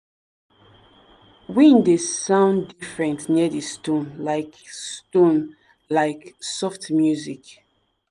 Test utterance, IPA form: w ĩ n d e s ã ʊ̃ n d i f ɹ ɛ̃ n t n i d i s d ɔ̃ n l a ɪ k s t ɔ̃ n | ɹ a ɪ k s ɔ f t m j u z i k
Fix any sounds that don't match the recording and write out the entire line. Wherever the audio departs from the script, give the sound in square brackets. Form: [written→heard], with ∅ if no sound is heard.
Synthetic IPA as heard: w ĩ n d e s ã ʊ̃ n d i f ɹ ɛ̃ n t n i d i s [d→t] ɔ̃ n l a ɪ k s t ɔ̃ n | [ɹ→l] a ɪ k s ɔ f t m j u z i k